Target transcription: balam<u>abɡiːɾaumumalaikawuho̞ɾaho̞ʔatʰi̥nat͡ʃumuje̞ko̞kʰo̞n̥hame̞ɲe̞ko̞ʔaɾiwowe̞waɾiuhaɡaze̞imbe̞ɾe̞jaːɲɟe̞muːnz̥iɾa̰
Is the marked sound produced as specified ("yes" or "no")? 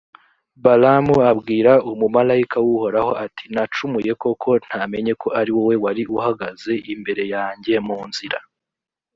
yes